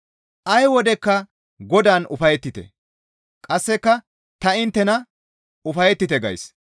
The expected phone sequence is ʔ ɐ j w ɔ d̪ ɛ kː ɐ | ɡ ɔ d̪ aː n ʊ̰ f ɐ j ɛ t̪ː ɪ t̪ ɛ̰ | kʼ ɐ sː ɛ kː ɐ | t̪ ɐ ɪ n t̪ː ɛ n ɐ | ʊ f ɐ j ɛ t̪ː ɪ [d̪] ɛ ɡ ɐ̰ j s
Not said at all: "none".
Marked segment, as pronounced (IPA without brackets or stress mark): t̪